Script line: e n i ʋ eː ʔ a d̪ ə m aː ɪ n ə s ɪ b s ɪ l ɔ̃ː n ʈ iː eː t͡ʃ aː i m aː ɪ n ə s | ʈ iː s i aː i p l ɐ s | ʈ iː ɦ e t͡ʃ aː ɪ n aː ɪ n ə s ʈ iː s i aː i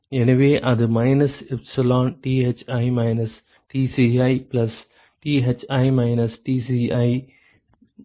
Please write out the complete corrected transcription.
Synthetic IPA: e n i ʋ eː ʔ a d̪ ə m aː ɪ n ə s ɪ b s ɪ l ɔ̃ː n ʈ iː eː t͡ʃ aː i m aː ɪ n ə s | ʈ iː s i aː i p l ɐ s | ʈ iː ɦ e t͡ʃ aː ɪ m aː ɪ n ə s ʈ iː s i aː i